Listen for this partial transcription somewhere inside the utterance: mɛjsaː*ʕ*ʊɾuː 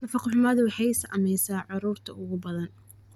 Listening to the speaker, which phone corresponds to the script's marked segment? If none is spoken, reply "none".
ʕ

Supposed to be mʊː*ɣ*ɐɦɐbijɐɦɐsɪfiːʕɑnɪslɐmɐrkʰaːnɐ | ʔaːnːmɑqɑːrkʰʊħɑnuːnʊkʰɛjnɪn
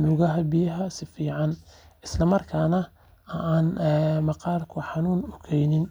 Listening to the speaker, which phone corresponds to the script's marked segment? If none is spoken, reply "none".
ɣ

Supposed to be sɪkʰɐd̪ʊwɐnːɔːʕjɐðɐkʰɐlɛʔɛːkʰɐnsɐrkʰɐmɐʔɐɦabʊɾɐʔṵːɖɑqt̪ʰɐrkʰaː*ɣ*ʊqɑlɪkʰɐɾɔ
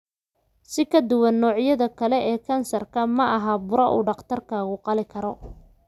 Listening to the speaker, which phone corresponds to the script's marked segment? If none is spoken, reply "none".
ɣ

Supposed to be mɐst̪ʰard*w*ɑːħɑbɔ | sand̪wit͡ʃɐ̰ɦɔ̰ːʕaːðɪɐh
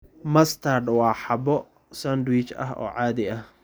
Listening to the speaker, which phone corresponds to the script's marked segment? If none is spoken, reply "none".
w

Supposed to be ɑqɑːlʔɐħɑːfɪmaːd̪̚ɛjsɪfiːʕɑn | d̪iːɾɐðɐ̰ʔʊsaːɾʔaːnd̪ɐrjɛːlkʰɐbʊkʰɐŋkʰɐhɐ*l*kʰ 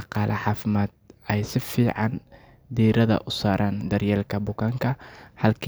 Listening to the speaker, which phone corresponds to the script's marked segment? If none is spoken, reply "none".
l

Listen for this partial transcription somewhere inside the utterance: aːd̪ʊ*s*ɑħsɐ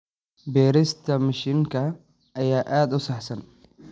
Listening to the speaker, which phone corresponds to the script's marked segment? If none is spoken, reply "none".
s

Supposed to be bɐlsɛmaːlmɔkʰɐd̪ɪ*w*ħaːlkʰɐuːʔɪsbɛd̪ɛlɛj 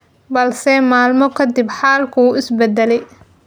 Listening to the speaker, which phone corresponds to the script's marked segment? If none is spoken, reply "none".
b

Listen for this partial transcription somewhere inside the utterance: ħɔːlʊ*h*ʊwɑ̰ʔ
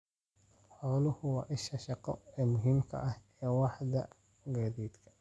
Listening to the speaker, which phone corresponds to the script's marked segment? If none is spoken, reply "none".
h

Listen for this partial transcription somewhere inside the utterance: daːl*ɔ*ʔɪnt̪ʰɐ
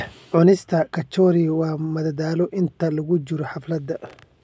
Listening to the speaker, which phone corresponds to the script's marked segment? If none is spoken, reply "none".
ɔ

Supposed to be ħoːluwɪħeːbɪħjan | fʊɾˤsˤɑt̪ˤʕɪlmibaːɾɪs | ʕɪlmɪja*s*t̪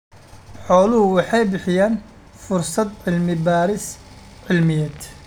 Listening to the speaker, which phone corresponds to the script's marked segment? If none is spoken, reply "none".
none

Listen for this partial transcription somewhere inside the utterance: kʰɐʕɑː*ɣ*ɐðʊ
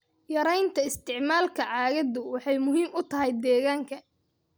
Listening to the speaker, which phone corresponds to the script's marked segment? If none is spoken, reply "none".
ɣ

